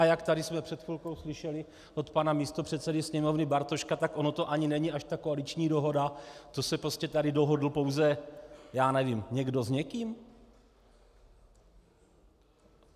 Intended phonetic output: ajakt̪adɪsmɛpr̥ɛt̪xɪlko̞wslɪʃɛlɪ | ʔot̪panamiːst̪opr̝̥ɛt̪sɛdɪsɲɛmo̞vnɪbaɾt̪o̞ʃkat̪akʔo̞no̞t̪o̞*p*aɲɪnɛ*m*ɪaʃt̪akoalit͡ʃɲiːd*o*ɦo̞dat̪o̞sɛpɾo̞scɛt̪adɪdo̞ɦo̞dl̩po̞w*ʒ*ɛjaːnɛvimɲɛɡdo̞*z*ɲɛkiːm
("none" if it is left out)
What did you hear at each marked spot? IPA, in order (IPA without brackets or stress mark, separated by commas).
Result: ʔ, ɲ, o, z, z